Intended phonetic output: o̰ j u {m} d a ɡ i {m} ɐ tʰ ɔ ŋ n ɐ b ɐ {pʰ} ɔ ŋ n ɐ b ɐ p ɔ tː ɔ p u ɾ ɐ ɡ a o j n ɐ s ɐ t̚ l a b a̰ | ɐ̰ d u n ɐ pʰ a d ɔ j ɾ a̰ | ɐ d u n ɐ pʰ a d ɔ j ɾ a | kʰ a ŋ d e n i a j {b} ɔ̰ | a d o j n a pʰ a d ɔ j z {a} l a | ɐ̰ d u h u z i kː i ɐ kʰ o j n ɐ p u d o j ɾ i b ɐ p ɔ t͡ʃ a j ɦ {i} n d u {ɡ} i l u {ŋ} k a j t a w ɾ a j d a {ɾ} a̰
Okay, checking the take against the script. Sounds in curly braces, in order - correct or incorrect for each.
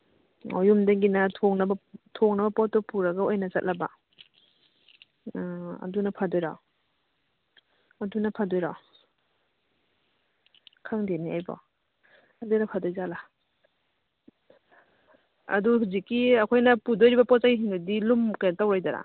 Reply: correct, incorrect: n, incorrect: tʰ, correct, correct, correct, incorrect: d, incorrect: m, correct

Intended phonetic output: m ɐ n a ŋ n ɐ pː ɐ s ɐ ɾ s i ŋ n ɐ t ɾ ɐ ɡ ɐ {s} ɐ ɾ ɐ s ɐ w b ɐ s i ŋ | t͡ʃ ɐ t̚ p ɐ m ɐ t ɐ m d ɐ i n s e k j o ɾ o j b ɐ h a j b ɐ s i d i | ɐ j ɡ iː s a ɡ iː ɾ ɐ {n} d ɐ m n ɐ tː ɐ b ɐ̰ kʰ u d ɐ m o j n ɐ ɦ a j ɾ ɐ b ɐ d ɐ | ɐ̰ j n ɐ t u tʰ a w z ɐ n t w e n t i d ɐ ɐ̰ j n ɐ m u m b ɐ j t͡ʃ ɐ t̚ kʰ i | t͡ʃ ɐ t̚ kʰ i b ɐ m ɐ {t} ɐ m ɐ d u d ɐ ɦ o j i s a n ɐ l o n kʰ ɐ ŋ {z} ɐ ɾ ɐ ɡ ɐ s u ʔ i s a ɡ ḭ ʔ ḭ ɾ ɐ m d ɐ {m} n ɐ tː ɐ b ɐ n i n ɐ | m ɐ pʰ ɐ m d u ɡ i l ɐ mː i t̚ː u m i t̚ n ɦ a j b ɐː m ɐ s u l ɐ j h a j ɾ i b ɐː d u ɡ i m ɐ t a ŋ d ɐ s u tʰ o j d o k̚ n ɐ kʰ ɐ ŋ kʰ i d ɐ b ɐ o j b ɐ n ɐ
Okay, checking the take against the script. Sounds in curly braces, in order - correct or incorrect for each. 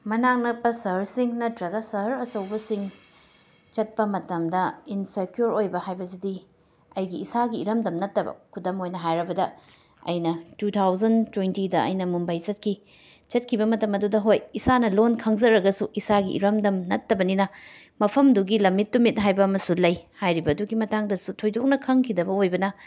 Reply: correct, incorrect: m, correct, correct, correct

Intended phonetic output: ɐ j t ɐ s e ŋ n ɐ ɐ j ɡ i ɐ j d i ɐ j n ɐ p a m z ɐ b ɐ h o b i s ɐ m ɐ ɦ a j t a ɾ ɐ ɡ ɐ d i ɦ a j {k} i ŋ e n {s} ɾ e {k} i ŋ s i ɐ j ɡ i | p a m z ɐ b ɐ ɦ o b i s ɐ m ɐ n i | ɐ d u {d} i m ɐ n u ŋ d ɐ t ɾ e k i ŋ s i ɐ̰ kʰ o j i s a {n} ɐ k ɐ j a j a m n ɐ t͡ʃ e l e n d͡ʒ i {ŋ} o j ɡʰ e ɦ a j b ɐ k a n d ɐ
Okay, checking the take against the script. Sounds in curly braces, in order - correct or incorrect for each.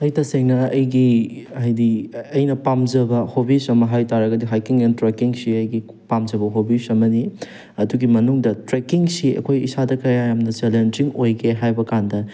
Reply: correct, incorrect: t, correct, incorrect: ɡ, incorrect: d, correct

